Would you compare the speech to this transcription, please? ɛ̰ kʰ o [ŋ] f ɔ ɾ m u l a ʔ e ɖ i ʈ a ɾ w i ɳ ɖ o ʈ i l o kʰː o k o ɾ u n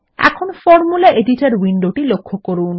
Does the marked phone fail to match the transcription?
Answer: yes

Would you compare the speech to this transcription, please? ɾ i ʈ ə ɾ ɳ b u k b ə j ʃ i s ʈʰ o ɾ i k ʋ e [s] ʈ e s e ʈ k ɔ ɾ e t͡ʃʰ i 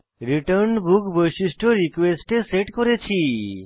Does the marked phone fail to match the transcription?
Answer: no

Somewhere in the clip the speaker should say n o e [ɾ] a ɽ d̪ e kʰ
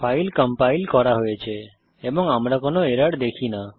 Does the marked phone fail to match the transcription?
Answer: no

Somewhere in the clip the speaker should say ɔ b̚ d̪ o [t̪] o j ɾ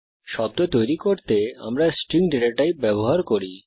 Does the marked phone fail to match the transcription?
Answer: no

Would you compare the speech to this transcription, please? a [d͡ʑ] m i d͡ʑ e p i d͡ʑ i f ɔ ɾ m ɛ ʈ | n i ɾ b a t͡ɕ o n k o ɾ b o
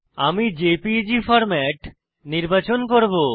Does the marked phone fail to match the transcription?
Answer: yes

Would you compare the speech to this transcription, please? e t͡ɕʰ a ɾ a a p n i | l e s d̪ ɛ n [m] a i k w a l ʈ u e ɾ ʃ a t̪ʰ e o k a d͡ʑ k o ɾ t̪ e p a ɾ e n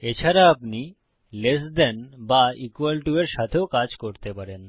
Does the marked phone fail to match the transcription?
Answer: yes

